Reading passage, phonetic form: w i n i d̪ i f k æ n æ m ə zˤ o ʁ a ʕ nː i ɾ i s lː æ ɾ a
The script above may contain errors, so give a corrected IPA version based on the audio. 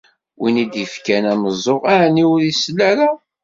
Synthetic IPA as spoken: w i n i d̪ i f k æ n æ m ə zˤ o ʁ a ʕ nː i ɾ i s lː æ ɾ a